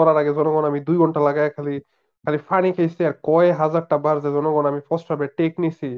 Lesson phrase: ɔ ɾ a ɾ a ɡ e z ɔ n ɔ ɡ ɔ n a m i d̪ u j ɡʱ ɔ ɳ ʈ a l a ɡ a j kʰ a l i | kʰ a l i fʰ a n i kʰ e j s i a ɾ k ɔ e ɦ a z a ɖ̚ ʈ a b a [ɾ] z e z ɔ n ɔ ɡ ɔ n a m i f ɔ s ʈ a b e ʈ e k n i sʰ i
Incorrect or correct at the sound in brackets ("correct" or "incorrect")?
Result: correct